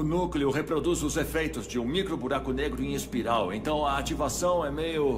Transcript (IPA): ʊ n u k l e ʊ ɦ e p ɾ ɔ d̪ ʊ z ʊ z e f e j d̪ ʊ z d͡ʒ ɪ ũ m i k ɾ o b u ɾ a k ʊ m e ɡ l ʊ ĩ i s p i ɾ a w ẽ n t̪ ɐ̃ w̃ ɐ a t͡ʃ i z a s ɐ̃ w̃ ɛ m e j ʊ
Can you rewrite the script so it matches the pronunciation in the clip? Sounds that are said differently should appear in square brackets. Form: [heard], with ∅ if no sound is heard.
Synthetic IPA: ʊ n u k l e ʊ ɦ e p ɾ [o] d̪ [u] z ʊ z e f e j [t̪] ʊ z d͡ʒ ɪ ũ m i k ɾ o b u ɾ a k ʊ [n] e ɡ [ɾ] ʊ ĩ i s p i ɾ a w ẽ n t̪ ɐ̃ w̃ ɐ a t͡ʃ i [v] a s ɐ̃ w̃ ɛ m e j ʊ